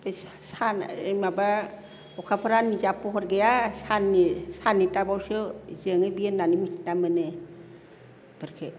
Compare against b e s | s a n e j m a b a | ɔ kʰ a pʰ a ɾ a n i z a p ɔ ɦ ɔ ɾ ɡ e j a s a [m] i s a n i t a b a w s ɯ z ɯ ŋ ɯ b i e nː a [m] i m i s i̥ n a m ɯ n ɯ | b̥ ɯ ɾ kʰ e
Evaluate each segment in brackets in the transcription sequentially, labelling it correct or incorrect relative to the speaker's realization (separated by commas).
incorrect, incorrect